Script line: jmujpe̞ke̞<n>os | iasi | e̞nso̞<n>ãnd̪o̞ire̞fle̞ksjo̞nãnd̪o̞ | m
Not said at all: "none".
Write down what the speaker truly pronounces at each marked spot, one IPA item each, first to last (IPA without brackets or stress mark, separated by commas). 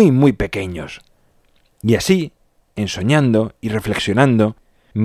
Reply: ɲ, ɲ